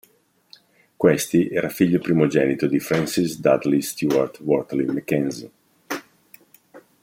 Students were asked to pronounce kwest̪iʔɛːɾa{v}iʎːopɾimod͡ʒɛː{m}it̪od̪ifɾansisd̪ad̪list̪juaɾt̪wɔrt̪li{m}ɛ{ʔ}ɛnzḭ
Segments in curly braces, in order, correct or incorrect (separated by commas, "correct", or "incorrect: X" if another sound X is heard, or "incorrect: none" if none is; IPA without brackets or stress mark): incorrect: f, incorrect: n, correct, incorrect: k